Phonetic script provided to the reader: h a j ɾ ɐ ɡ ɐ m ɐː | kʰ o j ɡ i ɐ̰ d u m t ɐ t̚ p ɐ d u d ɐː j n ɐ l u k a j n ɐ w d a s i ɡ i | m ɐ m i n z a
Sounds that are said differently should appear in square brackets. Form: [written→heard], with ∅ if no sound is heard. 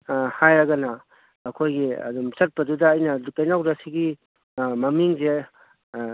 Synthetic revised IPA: h a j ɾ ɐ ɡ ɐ [m→n] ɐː | kʰ o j ɡ i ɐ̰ d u m [t→s] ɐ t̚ p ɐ d u d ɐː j n ɐ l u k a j n [ɐ→a] w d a s i ɡ i | m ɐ m i [n→ŋ] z [a→e]